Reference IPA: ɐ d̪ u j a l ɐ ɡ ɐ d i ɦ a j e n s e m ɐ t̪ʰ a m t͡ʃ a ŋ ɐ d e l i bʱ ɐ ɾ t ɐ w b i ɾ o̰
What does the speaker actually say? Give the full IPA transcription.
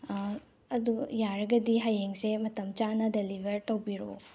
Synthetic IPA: ɐ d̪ u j a ɾ ɐ ɡ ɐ d i ɦ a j e ŋ s e m ɐ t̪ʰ ɐ m t͡ʃ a n ɐ d e l i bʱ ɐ ɾ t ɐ w b i ɾ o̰